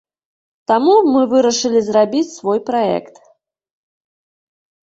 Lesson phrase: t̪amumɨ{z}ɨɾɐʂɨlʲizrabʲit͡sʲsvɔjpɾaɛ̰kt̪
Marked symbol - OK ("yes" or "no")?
no